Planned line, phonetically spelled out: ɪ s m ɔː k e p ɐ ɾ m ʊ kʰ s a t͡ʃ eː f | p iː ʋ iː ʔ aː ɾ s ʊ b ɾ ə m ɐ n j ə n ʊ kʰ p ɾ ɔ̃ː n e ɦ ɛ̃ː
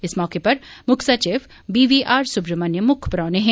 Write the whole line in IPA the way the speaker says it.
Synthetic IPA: ɪ s m ɔː k e p ɐ ɾ m ʊ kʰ s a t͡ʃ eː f | b iː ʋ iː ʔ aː ɾ s ʊ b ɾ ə m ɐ n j ə m ʊ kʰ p ɾ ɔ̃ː n e ɦ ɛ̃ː

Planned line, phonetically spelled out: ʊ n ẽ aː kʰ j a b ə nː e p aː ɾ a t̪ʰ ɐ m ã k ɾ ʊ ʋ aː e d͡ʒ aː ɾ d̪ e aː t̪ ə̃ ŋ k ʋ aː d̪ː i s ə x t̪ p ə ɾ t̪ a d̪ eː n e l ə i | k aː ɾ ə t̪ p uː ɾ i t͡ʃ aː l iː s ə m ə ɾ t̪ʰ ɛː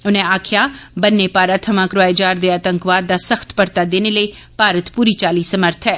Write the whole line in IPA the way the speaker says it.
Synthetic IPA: ʊ n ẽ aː kʰ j a b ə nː e p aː ɾ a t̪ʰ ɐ m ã k ɾ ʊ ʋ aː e d͡ʒ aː ɾ d̪ e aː t̪ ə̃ ŋ k ʋ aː d̪ː a s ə x t̪ p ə ɾ t̪ a d̪ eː n e l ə i | p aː ɾ ə t̪ p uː ɾ i t͡ʃ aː l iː s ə m ə ɾ t̪ʰ ɛː

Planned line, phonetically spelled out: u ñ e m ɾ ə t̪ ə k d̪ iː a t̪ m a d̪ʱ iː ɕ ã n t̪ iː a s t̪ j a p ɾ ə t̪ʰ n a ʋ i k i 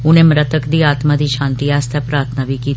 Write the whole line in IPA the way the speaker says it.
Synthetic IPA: u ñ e m ɾ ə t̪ ə k d̪ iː a t̪ m a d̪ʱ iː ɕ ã n t̪ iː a s t̪ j a p ɾ a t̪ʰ n a ʋ i k i

